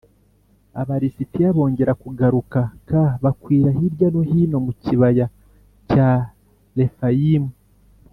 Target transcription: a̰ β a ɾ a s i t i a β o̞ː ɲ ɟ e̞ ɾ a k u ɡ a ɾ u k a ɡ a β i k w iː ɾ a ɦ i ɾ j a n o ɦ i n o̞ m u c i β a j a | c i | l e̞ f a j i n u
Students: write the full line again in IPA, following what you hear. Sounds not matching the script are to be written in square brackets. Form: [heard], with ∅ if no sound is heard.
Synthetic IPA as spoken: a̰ β a ɾ [i] s i t i a β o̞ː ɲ ɟ e̞ ɾ a k u ɡ a ɾ u k a [k] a β [a] k w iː ɾ a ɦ i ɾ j a n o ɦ i n o̞ m u c i β a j a | c [a] | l e̞ f a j i [m] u